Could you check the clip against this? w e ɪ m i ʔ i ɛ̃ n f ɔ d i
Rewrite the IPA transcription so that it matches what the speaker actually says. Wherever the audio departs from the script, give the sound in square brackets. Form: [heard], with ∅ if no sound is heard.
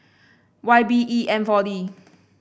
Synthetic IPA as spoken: w [a] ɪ [b] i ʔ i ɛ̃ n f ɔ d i